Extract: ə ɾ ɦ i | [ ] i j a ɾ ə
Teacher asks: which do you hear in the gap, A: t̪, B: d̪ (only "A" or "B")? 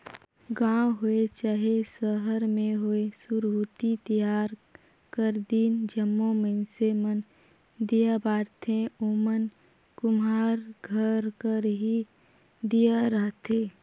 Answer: B